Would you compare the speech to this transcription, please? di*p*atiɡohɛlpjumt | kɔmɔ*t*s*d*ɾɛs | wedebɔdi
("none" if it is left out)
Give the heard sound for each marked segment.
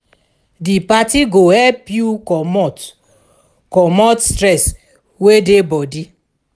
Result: p, t, t

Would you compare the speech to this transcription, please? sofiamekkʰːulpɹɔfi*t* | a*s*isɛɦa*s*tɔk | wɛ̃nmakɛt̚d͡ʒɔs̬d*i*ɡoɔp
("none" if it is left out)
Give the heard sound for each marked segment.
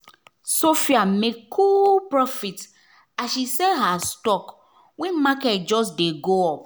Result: t, ʃ, s, e

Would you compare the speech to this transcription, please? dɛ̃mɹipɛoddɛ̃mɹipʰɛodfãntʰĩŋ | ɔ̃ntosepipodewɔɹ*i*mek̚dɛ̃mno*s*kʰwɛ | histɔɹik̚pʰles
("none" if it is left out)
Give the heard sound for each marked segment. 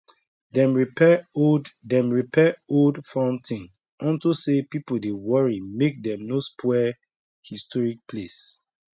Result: i, s

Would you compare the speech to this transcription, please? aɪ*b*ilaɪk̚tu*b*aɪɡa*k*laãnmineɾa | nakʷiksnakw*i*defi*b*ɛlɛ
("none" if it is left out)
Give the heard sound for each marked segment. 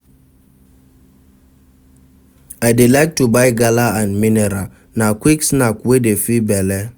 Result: d, b, none, e, b

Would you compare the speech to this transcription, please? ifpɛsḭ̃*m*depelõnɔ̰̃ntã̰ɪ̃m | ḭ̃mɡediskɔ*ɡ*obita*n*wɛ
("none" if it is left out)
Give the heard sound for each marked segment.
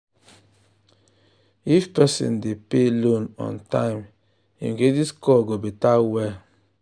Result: n, ɡ, none

